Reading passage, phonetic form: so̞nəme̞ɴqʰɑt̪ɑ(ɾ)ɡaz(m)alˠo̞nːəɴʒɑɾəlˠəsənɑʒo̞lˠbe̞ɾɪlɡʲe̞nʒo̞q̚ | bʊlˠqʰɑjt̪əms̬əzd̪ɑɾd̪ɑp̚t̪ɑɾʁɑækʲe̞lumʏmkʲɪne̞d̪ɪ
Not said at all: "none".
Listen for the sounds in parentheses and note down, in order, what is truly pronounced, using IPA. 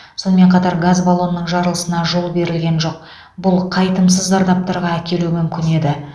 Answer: ɾ, b

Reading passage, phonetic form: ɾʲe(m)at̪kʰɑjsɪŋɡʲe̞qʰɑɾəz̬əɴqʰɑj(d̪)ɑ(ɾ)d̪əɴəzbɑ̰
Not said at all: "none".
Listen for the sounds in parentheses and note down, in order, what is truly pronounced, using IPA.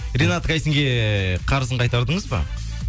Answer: n, t̪, ɾ

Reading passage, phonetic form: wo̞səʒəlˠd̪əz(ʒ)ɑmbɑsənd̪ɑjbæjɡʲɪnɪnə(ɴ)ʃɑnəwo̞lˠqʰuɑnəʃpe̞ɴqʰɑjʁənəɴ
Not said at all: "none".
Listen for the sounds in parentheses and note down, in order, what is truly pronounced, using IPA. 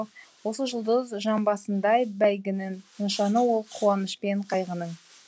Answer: ʒ, n

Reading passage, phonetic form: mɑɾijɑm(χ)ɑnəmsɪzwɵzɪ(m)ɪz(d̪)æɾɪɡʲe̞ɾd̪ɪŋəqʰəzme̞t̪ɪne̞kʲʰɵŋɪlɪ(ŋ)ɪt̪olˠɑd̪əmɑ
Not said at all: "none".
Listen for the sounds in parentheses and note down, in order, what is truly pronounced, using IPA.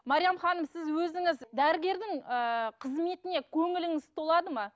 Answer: χ, ŋ, d̪, ŋ

